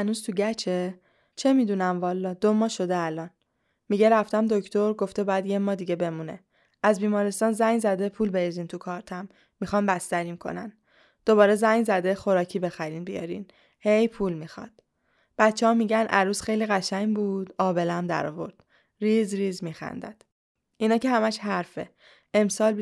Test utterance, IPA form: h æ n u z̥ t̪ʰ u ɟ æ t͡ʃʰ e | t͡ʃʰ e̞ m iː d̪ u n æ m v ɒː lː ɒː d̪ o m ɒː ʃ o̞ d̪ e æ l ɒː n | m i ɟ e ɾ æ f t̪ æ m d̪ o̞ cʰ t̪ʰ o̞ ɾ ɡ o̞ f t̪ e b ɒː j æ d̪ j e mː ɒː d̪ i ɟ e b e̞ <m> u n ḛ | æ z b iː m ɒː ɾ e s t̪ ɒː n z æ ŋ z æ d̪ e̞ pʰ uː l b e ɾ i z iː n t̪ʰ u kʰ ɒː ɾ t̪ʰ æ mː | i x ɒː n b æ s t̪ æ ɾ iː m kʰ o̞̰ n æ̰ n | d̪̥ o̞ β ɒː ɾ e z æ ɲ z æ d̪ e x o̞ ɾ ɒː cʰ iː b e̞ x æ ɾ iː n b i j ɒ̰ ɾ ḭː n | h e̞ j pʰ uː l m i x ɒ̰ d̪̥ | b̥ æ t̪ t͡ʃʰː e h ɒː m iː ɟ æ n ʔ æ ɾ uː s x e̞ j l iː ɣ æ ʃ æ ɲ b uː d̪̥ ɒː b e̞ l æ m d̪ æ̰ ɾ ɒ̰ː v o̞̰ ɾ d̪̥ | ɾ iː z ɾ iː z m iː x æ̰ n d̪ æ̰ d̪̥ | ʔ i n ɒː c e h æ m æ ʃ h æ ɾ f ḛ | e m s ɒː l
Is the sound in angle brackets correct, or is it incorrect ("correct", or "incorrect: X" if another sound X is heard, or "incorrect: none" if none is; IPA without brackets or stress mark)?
correct